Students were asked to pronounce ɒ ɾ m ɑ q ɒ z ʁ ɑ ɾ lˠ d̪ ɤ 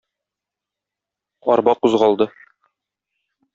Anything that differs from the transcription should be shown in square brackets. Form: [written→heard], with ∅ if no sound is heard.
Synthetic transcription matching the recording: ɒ ɾ [m→b] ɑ q [ɒ→u] z ʁ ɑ [ɾ→∅] lˠ d̪ ɤ